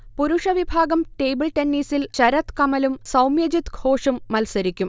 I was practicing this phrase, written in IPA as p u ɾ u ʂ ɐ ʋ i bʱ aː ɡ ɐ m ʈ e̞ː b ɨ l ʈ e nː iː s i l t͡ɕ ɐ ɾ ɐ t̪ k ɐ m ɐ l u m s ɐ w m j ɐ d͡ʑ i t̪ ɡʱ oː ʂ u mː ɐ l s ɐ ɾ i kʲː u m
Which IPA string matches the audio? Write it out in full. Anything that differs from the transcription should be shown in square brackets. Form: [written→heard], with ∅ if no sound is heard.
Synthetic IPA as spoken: p u ɾ u ʂ ɐ ʋ i bʱ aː ɡ ɐ m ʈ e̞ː b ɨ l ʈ e nː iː s i l t͡ɕ ɐ ɾ ɐ t̪ k ɐ m ɐ l u m s ɐ w m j ɐ d͡ʑ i t̪ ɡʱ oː ʂ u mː ɐ l s ɐ ɾ i kʲː u m

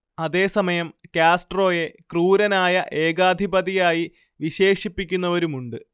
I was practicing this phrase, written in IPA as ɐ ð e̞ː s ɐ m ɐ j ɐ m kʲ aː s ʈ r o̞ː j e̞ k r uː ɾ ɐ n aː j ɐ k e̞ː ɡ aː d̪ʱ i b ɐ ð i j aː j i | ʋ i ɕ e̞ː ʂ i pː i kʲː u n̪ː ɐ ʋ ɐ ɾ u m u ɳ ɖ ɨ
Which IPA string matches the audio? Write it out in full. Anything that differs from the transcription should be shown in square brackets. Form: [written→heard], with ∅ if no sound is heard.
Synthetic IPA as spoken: ɐ ð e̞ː s ɐ m ɐ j ɐ m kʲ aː s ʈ r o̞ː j e̞ k r uː ɾ ɐ n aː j ɐ [k→ʔ] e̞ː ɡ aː d̪ʱ i b ɐ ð i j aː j i | ʋ i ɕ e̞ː ʂ i pː i kʲː u n̪ː ɐ ʋ ɐ ɾ u m u ɳ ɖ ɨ

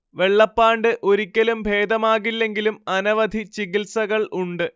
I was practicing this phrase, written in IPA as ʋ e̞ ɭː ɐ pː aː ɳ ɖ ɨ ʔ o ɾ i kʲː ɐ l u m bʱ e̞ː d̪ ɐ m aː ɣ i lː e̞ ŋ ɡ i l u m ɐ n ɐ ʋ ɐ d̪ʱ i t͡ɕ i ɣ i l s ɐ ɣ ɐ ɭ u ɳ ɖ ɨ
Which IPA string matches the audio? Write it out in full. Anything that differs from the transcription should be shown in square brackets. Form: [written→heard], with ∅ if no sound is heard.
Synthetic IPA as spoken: ʋ e̞ ɭː ɐ pː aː ɳ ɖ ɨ ʔ o ɾ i kʲː ɐ l u m bʱ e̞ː d̪ ɐ m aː ɣ i lː e̞ ŋ ɡ i l u m ɐ n ɐ ʋ ɐ d̪ʱ i t͡ɕ i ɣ i l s ɐ ɣ ɐ ɭ u ɳ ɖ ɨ

